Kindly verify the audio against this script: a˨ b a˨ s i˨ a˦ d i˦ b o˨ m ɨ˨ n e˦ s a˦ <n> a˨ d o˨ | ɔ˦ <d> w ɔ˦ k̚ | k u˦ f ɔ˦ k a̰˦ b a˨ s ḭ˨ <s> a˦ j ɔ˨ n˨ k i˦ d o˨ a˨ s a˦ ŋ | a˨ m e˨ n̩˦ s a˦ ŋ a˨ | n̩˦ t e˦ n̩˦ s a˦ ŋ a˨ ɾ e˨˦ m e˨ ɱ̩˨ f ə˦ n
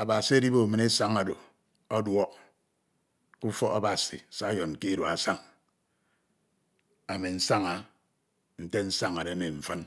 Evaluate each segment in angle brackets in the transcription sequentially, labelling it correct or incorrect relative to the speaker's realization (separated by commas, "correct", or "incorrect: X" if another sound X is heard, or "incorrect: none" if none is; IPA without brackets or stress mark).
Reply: incorrect: ŋ, correct, correct